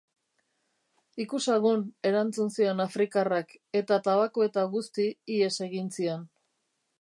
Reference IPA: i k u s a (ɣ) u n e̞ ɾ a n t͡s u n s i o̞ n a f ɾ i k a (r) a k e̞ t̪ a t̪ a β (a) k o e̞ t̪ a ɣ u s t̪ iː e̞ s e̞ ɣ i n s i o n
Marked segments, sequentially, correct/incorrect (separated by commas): correct, correct, correct